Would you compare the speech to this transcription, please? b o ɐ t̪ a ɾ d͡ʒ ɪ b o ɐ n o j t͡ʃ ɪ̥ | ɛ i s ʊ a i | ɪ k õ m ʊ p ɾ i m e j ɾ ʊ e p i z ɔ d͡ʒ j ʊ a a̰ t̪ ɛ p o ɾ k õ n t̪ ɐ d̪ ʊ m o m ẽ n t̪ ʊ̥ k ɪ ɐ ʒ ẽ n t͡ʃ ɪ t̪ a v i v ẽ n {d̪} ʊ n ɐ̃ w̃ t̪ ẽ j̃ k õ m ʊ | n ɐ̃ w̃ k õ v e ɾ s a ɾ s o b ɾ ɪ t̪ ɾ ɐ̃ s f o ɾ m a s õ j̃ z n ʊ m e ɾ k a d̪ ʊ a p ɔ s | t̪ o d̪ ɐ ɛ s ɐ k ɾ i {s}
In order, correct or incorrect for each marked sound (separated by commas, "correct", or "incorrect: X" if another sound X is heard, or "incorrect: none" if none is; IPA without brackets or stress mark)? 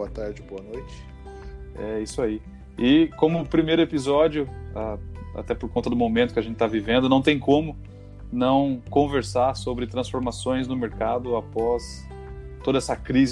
correct, incorrect: z